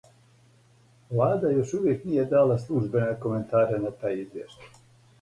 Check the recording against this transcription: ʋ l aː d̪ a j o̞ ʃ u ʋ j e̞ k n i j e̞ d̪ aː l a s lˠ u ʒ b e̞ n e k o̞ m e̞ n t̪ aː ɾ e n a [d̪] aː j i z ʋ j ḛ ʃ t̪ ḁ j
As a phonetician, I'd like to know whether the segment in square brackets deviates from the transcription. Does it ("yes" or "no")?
yes